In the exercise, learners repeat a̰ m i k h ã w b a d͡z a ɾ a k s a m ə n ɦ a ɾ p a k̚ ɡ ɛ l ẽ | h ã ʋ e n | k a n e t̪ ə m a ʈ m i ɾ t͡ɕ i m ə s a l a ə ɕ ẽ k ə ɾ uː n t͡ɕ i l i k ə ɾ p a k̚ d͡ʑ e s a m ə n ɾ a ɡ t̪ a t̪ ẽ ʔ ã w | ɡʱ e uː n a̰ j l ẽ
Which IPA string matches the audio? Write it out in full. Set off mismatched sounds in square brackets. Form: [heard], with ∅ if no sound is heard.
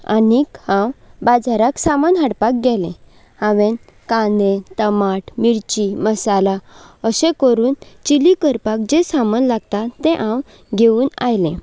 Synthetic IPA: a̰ [n] i k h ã w b a d͡z a ɾ a k s a m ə n ɦ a [ɽ] p a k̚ ɡ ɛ l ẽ | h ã ʋ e n | k a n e t̪ ə m a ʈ m i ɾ t͡ɕ i m ə s a l a ə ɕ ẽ k ə ɾ uː n t͡ɕ i l i k ə ɾ p a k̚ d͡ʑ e s a m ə n [l] a ɡ t̪ a t̪ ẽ ʔ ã w | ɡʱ e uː n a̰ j l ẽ